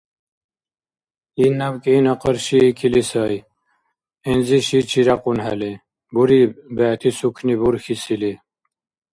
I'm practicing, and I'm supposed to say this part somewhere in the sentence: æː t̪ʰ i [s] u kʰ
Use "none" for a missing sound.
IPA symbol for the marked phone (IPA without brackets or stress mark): s